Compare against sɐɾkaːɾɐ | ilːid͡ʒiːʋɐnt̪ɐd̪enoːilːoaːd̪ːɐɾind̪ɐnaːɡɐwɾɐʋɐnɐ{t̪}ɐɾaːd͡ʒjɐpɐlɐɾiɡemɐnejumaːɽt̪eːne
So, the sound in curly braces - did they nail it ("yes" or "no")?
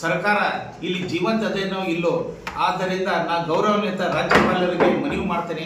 yes